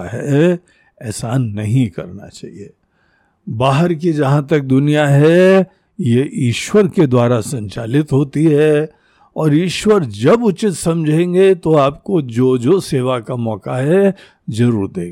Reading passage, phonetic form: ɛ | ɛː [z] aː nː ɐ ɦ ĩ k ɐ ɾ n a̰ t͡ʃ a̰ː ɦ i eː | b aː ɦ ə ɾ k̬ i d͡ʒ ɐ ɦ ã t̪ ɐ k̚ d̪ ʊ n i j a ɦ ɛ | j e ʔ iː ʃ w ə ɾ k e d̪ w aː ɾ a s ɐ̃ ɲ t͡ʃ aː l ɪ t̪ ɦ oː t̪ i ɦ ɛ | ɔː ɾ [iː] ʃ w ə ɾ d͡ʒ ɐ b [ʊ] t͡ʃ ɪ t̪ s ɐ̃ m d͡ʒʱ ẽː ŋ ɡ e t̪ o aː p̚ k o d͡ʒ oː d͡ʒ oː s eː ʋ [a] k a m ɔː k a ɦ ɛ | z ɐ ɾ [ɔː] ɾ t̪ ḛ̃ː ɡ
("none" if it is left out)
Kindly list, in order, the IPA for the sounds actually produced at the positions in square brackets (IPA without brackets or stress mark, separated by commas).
s, iː, ʊ, a, uː